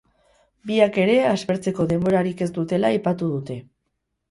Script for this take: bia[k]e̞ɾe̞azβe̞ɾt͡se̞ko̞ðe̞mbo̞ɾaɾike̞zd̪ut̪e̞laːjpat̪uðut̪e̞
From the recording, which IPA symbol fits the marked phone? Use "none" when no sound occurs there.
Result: k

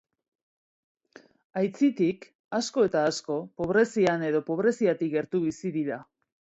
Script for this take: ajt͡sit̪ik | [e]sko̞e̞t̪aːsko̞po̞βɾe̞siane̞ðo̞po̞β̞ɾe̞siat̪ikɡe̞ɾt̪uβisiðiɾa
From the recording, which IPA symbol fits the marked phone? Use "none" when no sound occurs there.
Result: a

